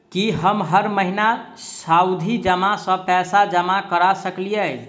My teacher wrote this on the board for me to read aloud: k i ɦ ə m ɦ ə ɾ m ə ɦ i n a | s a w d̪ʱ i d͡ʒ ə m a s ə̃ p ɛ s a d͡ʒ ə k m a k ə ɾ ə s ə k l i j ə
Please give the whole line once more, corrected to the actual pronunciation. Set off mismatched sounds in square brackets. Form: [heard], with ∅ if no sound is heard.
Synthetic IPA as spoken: k i ɦ ə m ɦ ə ɾ m ə ɦ i n a | s a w d̪ʱ i d͡ʒ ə m a s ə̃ p ɛ s a d͡ʒ ə [∅] m a k ə ɾ [a] s ə k l i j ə